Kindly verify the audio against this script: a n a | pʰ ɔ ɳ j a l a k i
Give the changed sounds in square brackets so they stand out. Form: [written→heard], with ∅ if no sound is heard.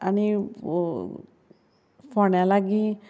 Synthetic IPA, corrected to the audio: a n [a→i] | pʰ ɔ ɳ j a l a [k→ɡ] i